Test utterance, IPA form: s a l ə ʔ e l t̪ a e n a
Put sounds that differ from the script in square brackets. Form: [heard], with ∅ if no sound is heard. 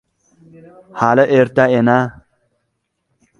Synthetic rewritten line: [h] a l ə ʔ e [ɾ] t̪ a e n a